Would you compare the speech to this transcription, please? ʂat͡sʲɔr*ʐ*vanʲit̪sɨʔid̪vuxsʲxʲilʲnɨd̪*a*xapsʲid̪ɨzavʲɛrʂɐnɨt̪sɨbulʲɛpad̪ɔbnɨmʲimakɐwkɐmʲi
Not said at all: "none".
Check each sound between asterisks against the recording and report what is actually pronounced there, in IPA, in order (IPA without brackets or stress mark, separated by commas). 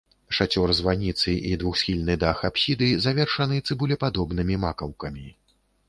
z, a